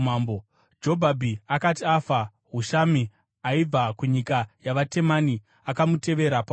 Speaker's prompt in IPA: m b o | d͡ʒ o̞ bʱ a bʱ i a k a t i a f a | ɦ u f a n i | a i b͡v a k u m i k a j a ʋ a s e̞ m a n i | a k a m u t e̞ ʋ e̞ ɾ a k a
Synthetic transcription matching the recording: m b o | d͡ʒ o̞ bʱ a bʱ i a k a t i a f a | ɦ u ʃ a m i | a i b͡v a k u ɲ i k a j a ʋ a t e̞ m a n i | a k a m u t e̞ ʋ e̞ ɾ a p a